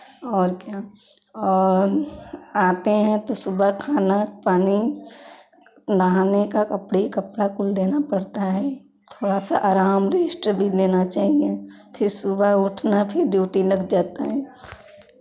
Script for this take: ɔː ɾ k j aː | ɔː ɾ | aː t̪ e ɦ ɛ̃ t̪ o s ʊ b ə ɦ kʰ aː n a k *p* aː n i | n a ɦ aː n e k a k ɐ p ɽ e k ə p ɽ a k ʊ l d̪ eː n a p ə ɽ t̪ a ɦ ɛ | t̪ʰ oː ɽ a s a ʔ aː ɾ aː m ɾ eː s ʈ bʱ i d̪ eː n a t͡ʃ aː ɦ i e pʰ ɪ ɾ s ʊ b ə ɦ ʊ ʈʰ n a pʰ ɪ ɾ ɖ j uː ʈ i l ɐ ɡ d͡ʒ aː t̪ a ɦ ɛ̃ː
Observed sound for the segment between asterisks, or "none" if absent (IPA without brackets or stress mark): p